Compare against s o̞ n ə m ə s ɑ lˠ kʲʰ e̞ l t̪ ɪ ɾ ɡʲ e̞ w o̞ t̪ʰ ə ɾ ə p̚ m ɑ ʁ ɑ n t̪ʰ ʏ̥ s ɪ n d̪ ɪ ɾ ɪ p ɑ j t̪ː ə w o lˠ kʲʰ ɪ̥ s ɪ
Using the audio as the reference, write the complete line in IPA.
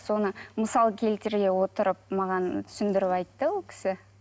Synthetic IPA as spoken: s o̞ n ə m ə s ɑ lˠ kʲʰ e̞ l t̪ ɪ ɾ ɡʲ e̞ w o̞ t̪ ə ɾ ə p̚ m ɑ ʁ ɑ n t̪ʰ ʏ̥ s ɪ n d̪ ɪ ɾ ɪ p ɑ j t̪ː ə w o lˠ kʲʰ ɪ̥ s ɪ